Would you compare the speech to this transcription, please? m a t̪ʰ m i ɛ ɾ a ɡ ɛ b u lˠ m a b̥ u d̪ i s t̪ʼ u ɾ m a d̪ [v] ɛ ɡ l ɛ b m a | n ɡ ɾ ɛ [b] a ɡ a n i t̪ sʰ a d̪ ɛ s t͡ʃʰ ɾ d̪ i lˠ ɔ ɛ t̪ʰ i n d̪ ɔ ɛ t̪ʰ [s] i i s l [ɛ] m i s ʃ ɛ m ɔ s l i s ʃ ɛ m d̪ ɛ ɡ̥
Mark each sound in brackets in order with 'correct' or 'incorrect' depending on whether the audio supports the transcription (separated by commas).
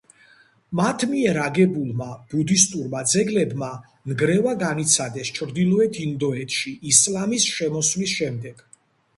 incorrect, incorrect, incorrect, incorrect